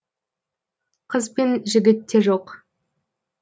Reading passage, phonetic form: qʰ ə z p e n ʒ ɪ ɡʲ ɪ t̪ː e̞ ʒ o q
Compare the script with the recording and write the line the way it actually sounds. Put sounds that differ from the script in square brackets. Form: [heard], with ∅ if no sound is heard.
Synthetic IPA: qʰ ə z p e n ʒ ɪ ɡʲ ɪ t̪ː e̞ ʒ o q